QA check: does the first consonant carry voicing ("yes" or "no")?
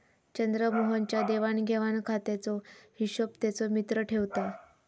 no